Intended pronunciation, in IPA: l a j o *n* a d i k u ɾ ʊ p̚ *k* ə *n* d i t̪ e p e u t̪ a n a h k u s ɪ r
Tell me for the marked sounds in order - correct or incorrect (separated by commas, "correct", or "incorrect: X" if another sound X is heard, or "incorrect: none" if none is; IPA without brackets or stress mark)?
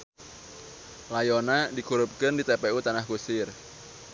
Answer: correct, correct, correct